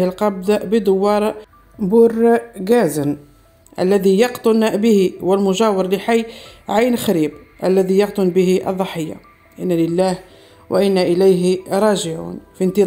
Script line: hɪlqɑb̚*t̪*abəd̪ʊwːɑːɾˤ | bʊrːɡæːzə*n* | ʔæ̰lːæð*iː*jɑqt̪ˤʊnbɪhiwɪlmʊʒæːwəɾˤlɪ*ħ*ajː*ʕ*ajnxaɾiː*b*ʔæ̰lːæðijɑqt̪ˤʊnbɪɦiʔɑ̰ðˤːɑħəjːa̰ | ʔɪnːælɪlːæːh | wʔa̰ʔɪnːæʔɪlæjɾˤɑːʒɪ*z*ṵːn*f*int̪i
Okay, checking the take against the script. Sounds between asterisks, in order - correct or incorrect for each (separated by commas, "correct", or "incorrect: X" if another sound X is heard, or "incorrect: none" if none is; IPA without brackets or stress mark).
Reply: incorrect: d̪, correct, incorrect: i, correct, correct, correct, incorrect: ʕ, correct